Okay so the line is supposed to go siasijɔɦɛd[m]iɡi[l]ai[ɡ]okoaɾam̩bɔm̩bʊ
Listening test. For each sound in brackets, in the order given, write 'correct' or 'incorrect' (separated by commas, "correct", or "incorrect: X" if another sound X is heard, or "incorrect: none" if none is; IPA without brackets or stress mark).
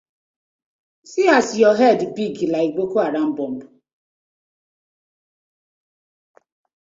incorrect: b, correct, incorrect: ɡ͡b